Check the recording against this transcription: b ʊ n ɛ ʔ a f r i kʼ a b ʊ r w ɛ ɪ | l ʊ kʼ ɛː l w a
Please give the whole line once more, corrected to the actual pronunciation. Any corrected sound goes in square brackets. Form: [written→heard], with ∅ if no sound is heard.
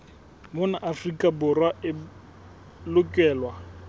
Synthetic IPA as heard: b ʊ n [ɛ→a] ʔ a f r i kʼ a b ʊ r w [ɛ→a] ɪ | l ʊ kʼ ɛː l w a